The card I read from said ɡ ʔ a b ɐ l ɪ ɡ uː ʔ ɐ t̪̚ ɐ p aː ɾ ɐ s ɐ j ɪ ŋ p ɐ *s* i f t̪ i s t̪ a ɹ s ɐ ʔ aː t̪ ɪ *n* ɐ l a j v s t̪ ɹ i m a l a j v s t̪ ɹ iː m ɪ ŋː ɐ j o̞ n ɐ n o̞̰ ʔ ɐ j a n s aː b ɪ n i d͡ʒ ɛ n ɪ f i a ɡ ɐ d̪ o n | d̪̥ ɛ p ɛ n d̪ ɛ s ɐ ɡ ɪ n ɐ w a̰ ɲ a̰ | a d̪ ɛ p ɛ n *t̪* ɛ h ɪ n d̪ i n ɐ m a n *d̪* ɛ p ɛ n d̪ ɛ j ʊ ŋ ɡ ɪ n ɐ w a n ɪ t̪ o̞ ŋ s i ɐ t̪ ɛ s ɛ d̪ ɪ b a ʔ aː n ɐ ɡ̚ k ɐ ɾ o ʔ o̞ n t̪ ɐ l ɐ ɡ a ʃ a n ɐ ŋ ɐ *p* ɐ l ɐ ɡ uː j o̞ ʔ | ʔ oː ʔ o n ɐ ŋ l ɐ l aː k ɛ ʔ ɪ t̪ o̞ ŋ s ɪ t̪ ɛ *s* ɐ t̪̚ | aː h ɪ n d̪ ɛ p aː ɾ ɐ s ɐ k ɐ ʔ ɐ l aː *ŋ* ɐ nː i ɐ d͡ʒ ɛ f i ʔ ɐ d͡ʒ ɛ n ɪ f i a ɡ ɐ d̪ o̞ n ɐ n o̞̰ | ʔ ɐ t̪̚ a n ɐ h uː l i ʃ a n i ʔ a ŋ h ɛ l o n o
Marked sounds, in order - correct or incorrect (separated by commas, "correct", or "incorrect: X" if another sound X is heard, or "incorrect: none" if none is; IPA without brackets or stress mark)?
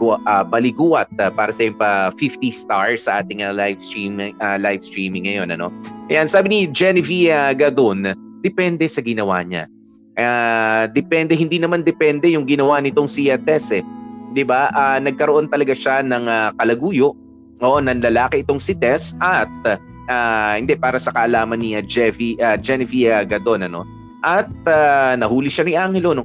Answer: incorrect: f, incorrect: ŋ, incorrect: d̪, correct, incorrect: k, correct, incorrect: m